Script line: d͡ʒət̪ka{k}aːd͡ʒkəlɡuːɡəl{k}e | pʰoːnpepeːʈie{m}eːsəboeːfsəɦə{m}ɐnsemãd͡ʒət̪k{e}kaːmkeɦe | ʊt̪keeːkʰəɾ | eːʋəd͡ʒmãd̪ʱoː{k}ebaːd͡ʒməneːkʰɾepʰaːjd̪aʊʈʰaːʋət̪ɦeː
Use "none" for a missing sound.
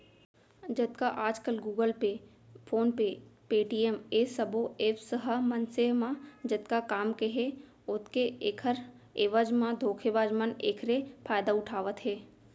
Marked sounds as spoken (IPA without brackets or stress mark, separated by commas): ʔ, p, m, m, a, kʰ